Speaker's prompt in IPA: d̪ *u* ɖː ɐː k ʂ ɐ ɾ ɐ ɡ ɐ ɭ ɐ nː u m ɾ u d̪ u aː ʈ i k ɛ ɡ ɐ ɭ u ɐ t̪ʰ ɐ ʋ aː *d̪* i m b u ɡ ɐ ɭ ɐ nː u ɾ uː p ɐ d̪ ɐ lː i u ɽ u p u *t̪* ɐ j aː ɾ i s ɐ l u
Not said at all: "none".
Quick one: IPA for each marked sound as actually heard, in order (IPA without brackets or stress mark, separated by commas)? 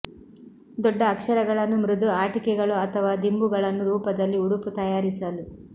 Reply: ɔ, d̪, t̪